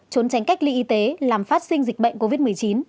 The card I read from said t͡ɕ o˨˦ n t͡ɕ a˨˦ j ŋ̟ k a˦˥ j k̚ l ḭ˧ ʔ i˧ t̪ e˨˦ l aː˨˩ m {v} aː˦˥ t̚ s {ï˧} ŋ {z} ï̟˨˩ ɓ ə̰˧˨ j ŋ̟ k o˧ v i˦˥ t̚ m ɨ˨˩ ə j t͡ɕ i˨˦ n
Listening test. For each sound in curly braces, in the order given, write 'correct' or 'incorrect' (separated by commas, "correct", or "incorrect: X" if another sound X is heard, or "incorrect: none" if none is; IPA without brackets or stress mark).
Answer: incorrect: f, correct, correct